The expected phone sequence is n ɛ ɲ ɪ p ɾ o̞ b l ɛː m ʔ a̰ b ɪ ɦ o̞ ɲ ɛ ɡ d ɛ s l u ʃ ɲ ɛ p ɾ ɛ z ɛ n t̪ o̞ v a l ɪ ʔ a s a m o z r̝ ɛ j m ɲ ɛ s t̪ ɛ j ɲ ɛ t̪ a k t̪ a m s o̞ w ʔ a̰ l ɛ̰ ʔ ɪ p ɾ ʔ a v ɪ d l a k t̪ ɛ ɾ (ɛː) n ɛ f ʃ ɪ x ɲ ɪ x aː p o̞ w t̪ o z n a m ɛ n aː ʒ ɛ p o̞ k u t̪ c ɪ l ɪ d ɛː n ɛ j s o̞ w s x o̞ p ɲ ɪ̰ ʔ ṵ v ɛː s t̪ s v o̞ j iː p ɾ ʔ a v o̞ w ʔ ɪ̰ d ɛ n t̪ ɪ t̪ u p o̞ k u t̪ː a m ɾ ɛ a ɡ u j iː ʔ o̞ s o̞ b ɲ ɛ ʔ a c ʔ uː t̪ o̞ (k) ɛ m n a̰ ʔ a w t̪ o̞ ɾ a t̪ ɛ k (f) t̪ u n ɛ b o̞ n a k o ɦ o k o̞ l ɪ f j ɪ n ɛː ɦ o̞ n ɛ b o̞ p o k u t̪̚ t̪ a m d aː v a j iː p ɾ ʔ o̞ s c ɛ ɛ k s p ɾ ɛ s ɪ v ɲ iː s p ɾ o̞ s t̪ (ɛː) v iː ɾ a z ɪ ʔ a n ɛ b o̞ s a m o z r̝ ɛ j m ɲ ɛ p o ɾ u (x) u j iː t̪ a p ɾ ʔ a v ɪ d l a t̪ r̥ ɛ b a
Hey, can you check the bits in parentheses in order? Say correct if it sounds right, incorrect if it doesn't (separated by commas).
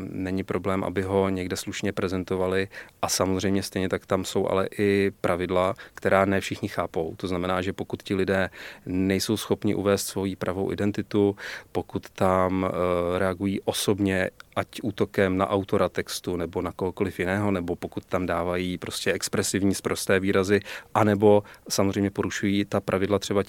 incorrect, correct, incorrect, correct, incorrect